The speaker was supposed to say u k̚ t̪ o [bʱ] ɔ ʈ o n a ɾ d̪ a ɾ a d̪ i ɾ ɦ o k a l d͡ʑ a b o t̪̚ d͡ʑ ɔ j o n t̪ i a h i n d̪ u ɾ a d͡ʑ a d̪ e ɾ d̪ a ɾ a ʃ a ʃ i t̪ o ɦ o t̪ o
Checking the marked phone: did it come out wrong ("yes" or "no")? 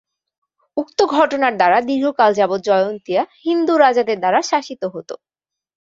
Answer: yes